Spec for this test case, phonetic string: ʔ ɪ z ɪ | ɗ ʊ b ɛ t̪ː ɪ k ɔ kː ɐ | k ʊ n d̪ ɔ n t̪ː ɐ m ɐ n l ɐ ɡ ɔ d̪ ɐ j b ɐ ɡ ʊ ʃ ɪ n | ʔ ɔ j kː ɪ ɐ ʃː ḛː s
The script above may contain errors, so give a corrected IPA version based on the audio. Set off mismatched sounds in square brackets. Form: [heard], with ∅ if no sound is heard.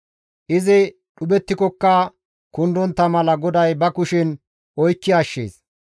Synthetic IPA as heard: ʔ ɪ z ɪ | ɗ ʊ b ɛ t̪ː ɪ k ɔ kː ɐ | k ʊ n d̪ ɔ n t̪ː ɐ m ɐ [∅] l ɐ ɡ ɔ d̪ ɐ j b ɐ [k] ʊ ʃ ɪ n | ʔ ɔ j kː ɪ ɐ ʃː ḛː s